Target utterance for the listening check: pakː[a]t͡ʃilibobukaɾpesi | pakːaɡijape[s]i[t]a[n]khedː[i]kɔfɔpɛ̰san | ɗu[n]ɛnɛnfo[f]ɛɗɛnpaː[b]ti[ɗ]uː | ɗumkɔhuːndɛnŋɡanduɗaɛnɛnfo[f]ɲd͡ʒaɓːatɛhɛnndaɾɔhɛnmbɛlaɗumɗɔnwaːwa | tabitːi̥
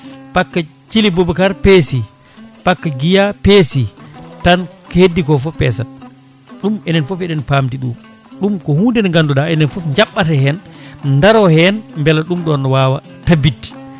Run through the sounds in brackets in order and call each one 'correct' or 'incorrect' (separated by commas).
correct, correct, correct, correct, correct, incorrect, correct, incorrect, correct, correct